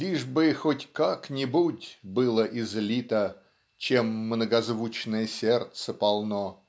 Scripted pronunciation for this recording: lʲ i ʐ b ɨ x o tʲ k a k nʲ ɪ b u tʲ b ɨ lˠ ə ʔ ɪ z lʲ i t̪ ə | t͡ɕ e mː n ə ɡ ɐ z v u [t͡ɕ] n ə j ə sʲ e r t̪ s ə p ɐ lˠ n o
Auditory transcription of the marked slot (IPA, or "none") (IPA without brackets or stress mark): t͡ɕ